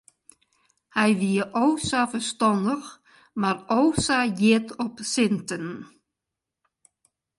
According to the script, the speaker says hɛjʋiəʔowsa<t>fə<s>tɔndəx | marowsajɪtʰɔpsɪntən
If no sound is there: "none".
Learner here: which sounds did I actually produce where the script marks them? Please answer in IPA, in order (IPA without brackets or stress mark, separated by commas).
none, s